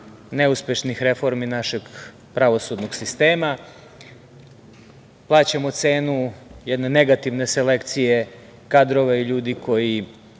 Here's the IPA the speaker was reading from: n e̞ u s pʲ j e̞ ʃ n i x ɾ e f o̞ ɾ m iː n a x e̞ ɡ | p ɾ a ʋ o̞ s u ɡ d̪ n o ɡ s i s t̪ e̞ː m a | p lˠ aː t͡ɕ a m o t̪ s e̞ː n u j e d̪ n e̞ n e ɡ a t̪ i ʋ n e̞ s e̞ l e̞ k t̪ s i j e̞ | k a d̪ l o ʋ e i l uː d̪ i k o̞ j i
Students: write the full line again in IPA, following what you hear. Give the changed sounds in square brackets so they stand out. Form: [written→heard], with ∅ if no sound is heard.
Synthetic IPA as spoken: n e̞ u s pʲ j e̞ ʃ n i x ɾ e f o̞ ɾ m [iː→i] n a [x→ʃ] e̞ ɡ | p ɾ a ʋ o̞ s u [ɡ→∅] d̪ n o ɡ s i s t̪ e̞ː m a | p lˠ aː t͡ɕ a m o t̪ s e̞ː n u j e d̪ n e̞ n e ɡ a t̪ i ʋ n e̞ s e̞ l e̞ k t̪ s i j e̞ | k a d̪ [l→ɾ] o ʋ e i [l→ʎ] uː d̪ i k o̞ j i